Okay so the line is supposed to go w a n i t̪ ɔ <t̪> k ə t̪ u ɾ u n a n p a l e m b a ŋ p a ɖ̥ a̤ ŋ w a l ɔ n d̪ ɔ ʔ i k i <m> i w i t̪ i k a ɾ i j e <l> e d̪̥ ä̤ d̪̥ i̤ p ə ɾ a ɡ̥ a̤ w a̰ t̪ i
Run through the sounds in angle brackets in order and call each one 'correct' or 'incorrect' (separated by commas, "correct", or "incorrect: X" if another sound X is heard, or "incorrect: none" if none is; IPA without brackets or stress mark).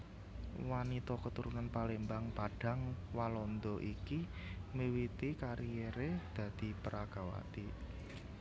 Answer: incorrect: none, correct, incorrect: ɾ